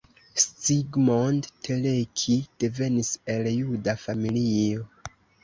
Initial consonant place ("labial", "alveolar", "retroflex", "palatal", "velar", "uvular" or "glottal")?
alveolar